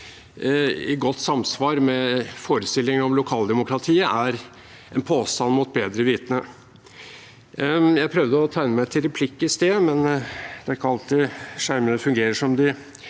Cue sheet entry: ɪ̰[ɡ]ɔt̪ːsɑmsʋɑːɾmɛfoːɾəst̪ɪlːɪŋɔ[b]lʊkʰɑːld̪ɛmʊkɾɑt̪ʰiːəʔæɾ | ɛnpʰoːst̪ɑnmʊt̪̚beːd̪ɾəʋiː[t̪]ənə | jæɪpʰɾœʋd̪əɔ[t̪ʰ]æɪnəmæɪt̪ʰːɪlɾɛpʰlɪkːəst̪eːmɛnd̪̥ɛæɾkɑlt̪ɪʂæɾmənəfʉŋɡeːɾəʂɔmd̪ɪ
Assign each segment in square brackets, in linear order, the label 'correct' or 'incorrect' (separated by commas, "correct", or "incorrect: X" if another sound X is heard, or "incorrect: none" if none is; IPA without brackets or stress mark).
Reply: correct, incorrect: m, correct, correct